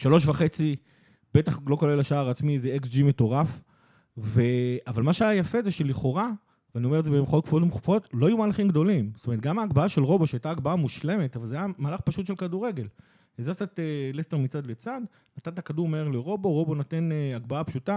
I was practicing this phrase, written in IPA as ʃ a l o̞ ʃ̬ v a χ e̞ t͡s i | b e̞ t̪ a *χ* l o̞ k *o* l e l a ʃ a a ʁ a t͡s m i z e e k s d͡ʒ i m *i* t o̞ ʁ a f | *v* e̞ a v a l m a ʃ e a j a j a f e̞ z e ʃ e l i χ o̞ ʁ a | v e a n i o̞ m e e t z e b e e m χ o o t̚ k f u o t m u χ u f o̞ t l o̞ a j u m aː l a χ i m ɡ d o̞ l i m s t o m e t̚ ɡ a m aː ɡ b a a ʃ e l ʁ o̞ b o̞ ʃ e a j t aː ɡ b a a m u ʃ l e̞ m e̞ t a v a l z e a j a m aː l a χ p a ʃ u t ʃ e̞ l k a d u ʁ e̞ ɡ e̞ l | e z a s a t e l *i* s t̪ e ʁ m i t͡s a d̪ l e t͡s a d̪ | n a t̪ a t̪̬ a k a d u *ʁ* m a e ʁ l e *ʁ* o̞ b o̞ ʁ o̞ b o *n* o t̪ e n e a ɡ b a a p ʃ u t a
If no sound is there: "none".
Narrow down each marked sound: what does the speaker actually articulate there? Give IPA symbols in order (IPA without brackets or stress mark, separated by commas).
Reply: χ, o, e, v, e, ʁ, ʁ, n